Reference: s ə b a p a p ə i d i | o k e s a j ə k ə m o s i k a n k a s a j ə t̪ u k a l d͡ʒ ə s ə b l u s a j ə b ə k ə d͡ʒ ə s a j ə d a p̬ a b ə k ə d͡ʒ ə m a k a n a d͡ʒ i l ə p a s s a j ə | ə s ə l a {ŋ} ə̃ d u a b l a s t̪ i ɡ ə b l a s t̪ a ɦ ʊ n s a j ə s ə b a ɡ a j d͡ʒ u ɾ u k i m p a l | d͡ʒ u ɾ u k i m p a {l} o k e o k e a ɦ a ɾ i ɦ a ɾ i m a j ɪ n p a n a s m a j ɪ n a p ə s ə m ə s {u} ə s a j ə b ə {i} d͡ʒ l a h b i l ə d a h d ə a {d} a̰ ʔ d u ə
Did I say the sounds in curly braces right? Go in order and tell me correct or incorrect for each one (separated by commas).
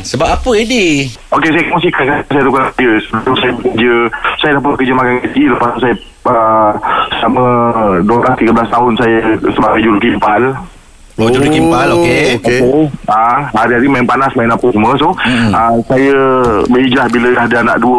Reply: incorrect, correct, incorrect, correct, incorrect